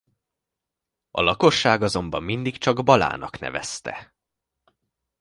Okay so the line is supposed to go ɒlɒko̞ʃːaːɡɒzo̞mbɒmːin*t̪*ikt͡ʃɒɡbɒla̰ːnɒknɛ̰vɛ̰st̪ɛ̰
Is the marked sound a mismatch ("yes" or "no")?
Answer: yes